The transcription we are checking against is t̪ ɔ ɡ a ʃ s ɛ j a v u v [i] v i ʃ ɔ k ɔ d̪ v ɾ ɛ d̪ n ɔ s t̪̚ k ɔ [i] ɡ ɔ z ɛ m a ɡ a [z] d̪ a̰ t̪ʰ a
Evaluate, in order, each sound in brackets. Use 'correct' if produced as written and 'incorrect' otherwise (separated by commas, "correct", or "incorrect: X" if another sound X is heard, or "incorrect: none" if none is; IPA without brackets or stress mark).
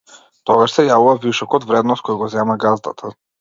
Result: incorrect: a, incorrect: j, correct